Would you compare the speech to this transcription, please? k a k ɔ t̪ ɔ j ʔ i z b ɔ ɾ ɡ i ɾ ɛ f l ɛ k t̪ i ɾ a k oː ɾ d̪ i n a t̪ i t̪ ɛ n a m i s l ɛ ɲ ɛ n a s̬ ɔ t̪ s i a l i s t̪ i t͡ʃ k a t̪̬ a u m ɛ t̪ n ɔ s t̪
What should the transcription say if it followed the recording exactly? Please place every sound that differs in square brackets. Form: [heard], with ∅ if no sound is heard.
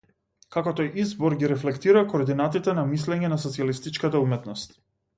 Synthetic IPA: k a k ɔ t̪ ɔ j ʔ i z b ɔ ɾ ɡ i ɾ ɛ f l ɛ k t̪ i ɾ a k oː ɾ d̪ i n a t̪ i t̪ ɛ n a m i s l ɛ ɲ ɛ n a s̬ ɔ t̪ s i a l i s t̪ i t͡ʃ k a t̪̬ a u m ɛ t̪ n ɔ s t̪